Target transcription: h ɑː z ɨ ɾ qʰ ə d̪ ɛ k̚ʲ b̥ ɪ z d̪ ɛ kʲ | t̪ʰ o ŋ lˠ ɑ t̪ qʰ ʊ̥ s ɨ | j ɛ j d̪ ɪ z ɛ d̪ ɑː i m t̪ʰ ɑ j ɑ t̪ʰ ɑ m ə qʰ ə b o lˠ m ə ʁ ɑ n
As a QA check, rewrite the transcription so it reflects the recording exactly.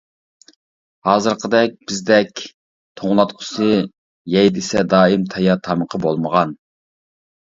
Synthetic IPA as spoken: h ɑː z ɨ ɾ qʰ ə d̪ ɛ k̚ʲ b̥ ɪ z d̪ ɛ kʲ | t̪ʰ o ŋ lˠ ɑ t̪ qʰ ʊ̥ s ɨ | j ɛ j d̪ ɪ s ɛ d̪ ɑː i m t̪ʰ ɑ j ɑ t̪ʰ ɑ m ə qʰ ə b o lˠ m ə ʁ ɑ n